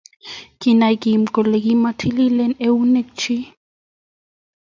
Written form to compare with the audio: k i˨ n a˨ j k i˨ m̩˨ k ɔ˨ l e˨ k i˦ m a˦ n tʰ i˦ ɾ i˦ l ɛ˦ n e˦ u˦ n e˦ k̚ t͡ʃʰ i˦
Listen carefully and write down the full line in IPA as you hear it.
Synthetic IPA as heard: k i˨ n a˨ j k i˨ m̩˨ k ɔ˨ l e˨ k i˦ m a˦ tʰ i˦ l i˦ l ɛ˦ n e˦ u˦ n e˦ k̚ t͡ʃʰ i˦

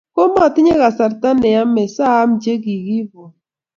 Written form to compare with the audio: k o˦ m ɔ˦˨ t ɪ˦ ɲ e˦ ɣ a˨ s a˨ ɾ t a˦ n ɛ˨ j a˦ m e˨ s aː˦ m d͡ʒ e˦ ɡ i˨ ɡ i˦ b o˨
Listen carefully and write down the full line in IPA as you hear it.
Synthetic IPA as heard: k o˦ m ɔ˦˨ t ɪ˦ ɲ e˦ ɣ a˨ s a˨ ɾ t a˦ n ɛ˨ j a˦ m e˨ s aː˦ m d͡ʒ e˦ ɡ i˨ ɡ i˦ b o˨

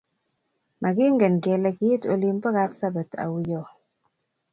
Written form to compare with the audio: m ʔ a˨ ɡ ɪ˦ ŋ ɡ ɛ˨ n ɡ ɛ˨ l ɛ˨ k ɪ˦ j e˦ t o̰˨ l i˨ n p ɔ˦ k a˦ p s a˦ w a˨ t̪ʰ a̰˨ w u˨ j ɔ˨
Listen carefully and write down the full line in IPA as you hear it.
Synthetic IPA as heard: m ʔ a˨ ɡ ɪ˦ ŋ ɡ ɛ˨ n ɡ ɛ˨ l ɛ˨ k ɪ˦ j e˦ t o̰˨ l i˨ m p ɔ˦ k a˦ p s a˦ b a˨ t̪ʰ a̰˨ w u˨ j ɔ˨

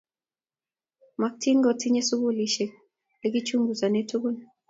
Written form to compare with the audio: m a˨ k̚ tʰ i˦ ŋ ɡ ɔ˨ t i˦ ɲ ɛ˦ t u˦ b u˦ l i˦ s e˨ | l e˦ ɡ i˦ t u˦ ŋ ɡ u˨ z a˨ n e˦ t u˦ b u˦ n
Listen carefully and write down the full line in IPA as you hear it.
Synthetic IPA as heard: m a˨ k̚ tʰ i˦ ŋ ɡ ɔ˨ t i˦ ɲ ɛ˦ s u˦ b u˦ l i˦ ʃ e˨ | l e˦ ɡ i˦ t͡ʃ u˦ ŋ ɡ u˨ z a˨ n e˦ t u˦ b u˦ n

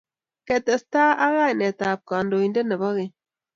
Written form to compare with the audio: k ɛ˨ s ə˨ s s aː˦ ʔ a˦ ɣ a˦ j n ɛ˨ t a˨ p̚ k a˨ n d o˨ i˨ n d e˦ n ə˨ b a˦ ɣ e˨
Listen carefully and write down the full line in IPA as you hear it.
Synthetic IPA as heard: k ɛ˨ t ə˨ s t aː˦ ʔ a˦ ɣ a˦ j n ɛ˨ t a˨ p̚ k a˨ n d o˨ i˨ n d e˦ n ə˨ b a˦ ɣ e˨

